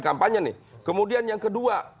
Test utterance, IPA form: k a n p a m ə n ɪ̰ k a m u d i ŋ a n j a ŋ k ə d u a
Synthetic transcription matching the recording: k a m p a ɲ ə n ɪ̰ k ə m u d i a n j a ŋ k ə d u a